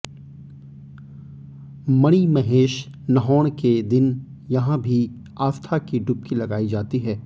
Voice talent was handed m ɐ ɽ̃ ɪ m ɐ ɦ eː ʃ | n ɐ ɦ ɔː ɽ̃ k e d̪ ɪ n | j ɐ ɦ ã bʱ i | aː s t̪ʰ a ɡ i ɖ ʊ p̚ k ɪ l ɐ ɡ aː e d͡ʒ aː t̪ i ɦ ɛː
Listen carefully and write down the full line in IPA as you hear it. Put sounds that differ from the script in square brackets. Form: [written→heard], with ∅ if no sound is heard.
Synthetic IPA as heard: m ɐ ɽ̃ [ɪ→i] m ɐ ɦ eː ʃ | n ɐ ɦ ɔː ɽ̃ k e d̪ ɪ n | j ɐ ɦ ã bʱ i | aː s t̪ʰ a [ɡ→k] i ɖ ʊ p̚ k [ɪ→i] l ɐ ɡ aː [e→i] d͡ʒ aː t̪ i ɦ ɛː